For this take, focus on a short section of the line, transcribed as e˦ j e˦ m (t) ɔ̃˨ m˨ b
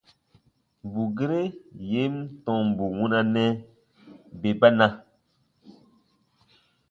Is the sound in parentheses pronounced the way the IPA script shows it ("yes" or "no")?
yes